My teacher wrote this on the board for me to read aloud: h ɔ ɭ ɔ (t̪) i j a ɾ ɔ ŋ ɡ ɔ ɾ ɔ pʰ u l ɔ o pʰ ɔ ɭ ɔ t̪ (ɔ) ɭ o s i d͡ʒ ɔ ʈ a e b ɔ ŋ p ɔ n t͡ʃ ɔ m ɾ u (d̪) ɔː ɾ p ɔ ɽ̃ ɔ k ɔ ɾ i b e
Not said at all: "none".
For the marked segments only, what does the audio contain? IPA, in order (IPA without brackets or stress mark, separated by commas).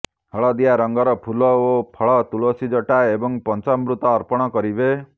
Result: d̪, u, t̪